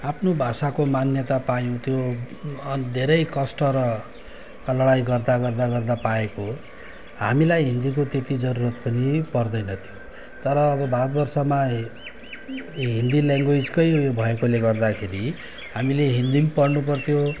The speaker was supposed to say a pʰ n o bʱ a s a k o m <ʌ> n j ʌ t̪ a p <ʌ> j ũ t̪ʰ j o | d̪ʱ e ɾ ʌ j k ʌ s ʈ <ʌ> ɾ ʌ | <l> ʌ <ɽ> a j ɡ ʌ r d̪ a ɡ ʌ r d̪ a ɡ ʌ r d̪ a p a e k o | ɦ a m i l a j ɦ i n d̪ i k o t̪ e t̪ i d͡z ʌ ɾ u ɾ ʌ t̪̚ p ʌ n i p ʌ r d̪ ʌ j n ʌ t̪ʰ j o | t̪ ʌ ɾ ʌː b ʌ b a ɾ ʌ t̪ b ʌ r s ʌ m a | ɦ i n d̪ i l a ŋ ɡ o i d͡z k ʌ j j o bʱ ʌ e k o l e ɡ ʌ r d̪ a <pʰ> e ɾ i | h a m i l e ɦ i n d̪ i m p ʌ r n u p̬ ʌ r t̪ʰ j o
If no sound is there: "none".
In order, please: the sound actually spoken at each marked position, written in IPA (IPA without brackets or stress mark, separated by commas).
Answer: a, a, ʌ, l, ɽ, kʰ